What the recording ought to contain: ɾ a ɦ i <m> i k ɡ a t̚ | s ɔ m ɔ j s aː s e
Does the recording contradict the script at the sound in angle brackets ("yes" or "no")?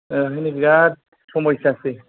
yes